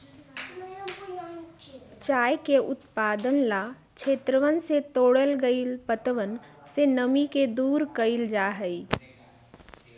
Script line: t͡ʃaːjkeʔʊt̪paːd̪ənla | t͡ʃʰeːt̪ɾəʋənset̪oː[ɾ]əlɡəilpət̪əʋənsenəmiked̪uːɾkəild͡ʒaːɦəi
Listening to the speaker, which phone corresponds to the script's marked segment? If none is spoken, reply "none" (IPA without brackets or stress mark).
ɽ